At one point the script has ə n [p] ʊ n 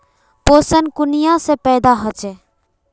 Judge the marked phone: incorrect: k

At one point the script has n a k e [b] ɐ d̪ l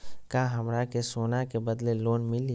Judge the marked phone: correct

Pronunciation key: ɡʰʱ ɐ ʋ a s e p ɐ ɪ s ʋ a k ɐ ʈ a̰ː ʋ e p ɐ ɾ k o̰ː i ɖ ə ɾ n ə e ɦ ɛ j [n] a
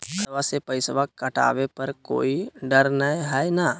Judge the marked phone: correct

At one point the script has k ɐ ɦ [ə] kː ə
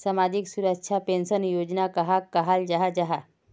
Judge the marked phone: incorrect: a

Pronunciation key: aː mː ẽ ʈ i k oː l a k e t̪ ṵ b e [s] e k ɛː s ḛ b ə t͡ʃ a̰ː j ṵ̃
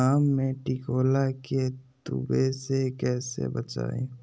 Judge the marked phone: correct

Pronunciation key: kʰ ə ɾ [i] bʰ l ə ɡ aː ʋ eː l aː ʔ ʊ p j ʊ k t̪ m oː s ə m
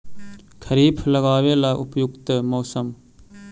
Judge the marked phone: incorrect: iː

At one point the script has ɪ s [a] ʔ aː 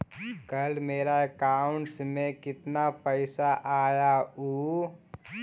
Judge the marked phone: correct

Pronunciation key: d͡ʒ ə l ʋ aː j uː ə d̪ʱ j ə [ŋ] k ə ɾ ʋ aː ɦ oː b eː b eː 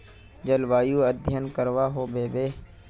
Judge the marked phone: incorrect: n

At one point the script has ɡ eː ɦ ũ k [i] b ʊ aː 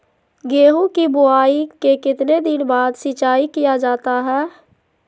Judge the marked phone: correct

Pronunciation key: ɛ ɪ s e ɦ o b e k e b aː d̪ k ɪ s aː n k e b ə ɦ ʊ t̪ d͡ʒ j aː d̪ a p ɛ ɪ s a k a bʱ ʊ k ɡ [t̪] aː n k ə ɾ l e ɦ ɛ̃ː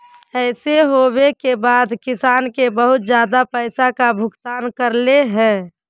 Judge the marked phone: correct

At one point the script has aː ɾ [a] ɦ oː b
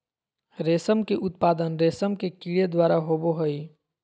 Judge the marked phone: correct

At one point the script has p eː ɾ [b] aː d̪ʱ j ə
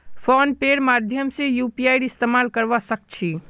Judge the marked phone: incorrect: m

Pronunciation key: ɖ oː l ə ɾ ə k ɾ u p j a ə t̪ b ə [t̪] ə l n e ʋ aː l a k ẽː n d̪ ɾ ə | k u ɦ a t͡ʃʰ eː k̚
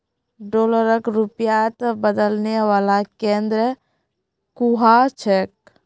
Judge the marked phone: incorrect: d̪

